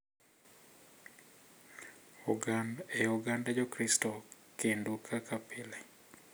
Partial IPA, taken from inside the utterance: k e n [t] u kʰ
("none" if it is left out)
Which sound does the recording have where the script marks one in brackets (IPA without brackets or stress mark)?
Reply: d